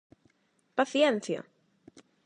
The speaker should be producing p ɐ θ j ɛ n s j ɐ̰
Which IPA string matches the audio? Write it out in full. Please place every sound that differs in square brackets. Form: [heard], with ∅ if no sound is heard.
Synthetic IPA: p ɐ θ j ɛ n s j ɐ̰